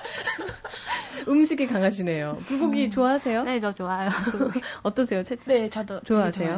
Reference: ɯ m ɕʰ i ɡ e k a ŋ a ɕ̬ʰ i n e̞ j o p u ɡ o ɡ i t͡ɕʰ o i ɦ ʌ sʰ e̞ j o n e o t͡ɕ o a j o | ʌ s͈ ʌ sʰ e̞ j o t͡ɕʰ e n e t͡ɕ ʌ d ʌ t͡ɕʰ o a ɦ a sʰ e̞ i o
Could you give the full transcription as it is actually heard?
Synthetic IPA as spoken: ɯ m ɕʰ i ɡ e k a ŋ a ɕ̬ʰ i n e̞ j o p u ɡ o ɡ i t͡ɕ o a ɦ a sʰ e̞ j o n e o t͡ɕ o a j o | ʌ t͈ ʌ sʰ e̞ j o t͡ɕʰ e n e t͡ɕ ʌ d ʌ t͡ɕ o a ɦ a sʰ e̞ j o